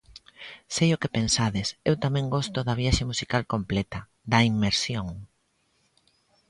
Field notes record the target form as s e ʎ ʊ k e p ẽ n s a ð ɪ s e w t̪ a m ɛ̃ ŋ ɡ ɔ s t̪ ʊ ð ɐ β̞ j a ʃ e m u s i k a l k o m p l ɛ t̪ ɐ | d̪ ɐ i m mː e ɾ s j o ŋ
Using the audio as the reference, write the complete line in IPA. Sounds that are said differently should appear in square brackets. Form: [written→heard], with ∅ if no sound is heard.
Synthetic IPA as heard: s e [ʎ→j] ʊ k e p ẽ n s a ð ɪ s e w t̪ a m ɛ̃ ŋ ɡ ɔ s t̪ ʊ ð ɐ β̞ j a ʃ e m u s i k a l k o m p l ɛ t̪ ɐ | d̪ ɐ i m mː e ɾ s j o ŋ